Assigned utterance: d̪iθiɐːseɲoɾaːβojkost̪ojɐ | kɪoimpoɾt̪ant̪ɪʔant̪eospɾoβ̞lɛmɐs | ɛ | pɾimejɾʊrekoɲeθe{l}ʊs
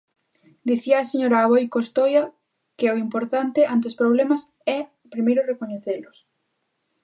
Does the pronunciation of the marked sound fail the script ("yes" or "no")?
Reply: no